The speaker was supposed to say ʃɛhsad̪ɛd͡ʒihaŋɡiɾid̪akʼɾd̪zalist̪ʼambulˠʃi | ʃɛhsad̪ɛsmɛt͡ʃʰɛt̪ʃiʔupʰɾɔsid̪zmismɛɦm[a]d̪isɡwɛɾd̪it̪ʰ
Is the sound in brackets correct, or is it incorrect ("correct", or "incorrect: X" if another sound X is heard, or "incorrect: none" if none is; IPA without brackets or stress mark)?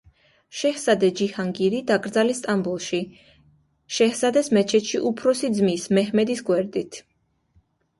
incorrect: ɛ